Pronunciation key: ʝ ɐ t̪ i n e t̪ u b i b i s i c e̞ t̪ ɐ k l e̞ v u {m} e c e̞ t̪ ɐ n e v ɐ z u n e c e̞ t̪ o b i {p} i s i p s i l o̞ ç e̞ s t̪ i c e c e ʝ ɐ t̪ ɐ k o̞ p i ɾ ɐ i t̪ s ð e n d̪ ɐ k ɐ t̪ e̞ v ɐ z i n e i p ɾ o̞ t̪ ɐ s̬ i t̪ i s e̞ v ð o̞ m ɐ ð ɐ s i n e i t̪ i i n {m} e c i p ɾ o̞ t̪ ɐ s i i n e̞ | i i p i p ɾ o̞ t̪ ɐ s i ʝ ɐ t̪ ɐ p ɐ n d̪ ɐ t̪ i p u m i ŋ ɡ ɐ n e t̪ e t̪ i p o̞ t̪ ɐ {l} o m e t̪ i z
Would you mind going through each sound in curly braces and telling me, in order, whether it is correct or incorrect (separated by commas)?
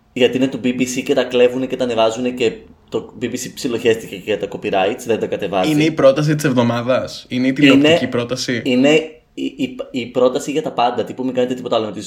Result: incorrect, incorrect, incorrect, correct